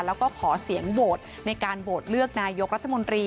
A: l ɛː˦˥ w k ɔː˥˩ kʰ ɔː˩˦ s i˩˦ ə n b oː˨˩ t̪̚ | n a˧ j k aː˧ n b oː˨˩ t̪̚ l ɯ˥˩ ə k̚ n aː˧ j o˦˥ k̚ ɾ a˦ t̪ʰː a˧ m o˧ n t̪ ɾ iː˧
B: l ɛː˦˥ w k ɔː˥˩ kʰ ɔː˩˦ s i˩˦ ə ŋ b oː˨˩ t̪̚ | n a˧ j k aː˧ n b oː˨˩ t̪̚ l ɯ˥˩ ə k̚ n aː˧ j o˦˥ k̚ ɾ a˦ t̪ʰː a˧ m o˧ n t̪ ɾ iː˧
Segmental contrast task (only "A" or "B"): B